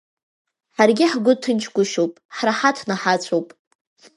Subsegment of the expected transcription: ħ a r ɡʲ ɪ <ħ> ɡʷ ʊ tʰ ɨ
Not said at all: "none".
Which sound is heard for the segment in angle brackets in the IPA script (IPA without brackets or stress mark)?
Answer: ħ